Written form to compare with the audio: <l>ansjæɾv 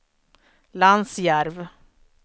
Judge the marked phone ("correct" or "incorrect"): correct